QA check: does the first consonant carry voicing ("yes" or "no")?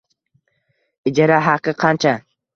yes